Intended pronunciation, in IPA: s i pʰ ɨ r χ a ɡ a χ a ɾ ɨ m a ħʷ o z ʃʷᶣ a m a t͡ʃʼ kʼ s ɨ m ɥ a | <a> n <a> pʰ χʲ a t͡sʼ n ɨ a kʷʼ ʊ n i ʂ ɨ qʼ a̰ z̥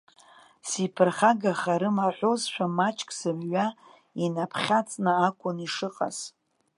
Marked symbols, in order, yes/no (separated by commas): no, yes